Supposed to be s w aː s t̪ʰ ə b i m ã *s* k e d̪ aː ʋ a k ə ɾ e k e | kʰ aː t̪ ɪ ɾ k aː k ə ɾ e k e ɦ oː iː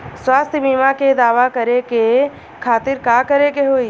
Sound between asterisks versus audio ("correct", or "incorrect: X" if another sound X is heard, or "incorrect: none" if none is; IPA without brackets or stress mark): incorrect: none